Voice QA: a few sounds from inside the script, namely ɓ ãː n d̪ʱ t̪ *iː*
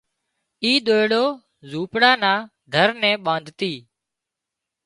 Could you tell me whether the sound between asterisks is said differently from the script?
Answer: no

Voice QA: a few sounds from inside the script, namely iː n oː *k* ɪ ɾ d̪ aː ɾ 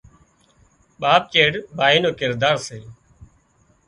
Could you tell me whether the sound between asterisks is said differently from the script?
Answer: no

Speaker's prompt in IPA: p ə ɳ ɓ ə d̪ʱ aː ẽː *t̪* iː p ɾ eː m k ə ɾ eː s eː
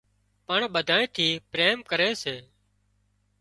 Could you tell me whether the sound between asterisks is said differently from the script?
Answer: yes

